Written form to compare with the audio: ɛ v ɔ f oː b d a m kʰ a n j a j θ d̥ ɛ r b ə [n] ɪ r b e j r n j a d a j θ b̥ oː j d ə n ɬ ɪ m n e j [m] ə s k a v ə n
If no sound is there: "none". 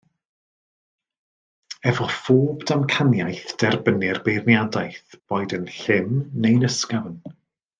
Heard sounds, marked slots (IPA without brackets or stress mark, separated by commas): n, n